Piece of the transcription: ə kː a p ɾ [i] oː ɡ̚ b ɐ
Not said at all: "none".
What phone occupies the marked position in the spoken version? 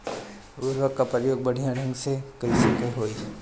j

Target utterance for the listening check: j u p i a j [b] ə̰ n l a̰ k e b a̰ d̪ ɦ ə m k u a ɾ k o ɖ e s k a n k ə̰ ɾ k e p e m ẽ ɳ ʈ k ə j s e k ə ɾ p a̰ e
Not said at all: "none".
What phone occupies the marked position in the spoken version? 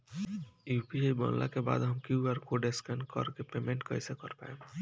b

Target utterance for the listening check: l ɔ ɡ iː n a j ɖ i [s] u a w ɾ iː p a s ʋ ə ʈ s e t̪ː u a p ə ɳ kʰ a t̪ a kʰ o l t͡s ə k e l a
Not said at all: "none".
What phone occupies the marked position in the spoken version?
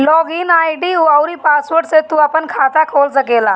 none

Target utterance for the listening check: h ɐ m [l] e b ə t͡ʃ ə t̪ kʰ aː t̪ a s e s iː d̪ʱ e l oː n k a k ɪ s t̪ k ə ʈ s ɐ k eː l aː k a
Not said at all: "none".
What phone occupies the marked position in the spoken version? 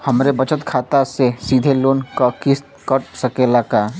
ɾ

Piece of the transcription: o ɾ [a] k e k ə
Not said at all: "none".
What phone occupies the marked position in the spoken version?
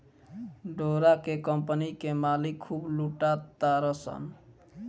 a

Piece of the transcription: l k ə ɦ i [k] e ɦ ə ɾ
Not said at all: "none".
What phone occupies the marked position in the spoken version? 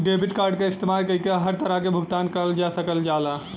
k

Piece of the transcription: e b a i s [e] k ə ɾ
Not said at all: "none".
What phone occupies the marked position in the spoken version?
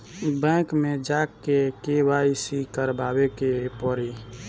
i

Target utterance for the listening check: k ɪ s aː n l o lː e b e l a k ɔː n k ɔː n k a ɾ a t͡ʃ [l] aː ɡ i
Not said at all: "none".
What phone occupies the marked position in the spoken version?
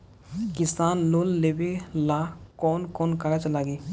l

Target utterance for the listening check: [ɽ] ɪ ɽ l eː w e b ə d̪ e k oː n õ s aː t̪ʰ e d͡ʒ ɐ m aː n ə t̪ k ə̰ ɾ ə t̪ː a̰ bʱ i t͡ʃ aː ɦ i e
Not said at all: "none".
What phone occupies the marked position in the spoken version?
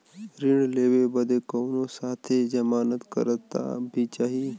ɾ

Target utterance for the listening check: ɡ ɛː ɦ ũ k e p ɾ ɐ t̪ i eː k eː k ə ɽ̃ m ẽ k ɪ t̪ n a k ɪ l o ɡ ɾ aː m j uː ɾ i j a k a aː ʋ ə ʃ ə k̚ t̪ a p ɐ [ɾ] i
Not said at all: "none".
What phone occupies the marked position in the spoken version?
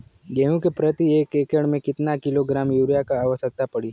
ɽ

